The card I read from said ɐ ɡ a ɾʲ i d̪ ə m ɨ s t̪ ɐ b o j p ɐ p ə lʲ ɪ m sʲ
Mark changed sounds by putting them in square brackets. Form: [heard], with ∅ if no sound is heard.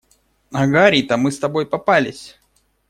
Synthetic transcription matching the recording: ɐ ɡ a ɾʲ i [t̪] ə m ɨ s t̪ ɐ b o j p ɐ p [a] lʲ ɪ [∅] sʲ